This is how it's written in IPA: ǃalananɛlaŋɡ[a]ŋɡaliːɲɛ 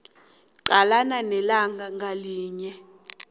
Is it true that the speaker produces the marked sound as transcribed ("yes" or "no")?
yes